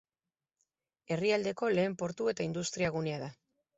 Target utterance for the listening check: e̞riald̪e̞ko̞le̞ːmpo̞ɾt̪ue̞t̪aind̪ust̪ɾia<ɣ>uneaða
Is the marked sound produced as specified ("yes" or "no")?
yes